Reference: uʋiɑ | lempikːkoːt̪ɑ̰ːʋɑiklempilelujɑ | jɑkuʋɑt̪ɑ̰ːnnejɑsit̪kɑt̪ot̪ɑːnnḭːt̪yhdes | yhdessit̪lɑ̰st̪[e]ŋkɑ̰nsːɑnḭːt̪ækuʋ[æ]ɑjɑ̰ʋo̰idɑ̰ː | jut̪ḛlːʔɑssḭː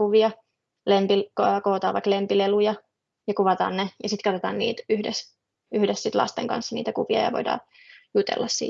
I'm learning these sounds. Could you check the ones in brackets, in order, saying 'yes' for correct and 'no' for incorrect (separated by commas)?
yes, no